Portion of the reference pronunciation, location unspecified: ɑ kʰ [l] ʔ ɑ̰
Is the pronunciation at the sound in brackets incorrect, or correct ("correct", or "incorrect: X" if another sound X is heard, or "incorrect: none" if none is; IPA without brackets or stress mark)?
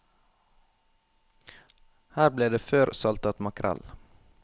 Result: incorrect: ɾ